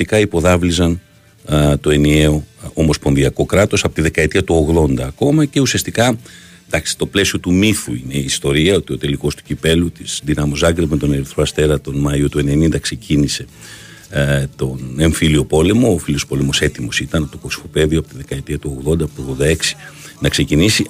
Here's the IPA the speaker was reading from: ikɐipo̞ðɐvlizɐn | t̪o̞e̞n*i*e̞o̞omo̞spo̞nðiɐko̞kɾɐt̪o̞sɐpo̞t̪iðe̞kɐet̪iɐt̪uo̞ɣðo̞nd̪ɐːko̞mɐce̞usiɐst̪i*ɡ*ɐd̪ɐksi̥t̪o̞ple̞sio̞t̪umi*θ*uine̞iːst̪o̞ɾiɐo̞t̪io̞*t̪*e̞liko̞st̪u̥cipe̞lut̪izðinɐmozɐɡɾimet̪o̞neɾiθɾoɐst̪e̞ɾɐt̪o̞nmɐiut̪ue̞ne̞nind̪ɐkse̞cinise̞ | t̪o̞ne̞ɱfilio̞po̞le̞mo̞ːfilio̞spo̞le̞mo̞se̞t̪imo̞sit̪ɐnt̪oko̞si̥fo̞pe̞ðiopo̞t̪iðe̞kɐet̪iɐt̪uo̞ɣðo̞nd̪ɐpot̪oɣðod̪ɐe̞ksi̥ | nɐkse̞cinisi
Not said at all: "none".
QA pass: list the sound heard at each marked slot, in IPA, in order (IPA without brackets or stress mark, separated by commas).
i, k, θ, t̪